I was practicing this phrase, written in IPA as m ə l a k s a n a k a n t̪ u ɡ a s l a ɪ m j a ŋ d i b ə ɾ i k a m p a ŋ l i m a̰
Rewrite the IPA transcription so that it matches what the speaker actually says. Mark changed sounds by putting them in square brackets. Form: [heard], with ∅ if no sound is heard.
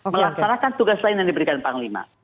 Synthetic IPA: m ə l a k s a n a k a n t̪ u ɡ a s l a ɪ [n] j a ŋ d i b ə ɾ i k a [n] p a ŋ l i m a̰